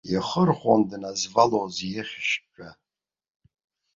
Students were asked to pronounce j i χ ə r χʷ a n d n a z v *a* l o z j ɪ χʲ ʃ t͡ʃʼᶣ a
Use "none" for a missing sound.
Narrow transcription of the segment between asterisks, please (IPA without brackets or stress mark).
a